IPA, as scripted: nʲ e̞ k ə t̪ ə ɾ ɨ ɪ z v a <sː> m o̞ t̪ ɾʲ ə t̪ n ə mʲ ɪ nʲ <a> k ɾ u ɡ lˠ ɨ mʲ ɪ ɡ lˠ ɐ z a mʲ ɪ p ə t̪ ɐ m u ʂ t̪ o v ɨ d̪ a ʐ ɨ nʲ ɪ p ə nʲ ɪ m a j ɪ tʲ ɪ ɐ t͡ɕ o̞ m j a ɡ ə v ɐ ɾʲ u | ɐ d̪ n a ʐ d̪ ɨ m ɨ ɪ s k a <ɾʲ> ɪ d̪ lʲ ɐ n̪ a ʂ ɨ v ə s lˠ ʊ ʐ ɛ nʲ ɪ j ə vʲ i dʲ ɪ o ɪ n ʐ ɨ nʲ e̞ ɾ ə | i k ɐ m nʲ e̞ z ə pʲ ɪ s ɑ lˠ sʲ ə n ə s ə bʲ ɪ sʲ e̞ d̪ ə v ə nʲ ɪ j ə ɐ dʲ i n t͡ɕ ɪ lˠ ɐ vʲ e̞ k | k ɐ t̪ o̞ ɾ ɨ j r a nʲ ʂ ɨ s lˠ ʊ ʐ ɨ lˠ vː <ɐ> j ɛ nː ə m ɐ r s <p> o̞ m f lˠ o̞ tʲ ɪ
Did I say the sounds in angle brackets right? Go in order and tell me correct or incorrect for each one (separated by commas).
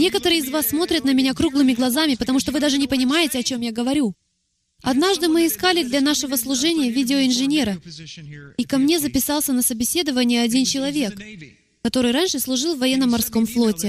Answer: correct, correct, incorrect, correct, incorrect